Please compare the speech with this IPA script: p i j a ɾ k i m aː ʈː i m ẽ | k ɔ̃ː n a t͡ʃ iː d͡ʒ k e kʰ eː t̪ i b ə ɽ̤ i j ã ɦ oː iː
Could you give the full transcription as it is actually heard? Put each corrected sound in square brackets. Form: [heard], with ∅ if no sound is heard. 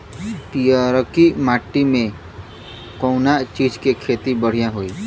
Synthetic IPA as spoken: p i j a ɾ k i m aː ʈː i m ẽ | k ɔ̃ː n a t͡ʃ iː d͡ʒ k e kʰ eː t̪ i b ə ɽ̤ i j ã ɦ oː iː